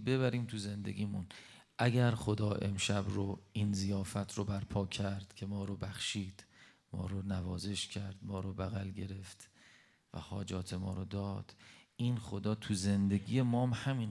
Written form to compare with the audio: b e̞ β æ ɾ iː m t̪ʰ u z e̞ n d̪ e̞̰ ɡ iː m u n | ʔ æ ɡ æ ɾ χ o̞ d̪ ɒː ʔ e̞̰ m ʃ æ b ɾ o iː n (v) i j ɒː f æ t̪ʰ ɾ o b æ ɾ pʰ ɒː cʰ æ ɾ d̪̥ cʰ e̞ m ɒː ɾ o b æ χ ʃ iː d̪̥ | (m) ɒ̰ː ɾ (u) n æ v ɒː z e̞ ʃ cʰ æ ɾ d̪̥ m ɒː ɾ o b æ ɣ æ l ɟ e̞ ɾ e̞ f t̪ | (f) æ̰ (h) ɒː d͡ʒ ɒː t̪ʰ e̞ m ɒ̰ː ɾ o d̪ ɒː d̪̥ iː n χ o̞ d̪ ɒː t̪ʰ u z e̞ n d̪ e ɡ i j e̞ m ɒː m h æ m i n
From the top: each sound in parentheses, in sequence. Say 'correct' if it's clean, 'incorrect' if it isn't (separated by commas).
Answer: incorrect, correct, incorrect, incorrect, correct